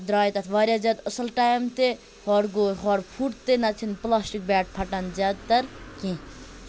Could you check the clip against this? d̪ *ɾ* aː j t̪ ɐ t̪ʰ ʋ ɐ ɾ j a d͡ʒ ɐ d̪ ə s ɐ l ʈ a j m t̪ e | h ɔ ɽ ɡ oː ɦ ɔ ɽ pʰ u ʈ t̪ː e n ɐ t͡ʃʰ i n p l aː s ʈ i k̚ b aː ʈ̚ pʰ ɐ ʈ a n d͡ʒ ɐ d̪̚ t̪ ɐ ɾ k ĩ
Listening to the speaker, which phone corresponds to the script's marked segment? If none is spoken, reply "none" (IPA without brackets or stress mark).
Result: ɾ